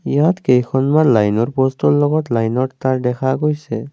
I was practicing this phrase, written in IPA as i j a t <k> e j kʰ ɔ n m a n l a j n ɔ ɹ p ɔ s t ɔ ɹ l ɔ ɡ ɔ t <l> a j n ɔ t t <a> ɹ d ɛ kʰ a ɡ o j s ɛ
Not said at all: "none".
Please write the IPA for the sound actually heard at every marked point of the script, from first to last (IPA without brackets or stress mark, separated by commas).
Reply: k, l, a